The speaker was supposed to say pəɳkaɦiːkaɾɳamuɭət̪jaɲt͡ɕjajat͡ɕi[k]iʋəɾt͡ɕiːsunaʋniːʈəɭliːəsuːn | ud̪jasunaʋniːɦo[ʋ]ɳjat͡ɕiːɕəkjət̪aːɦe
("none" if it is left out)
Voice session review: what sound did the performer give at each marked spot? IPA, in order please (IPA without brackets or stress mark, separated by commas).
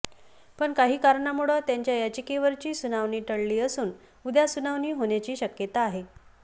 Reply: k, none